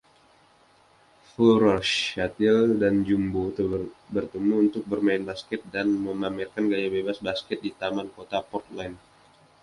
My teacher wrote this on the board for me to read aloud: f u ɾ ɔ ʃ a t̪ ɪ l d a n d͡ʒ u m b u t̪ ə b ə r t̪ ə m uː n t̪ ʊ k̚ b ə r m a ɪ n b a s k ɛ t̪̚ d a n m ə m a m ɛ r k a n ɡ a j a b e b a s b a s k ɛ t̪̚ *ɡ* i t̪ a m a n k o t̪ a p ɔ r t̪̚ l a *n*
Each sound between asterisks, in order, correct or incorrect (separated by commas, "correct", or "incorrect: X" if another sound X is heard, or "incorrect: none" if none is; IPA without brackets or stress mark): incorrect: d, correct